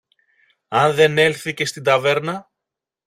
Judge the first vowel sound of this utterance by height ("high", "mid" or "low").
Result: low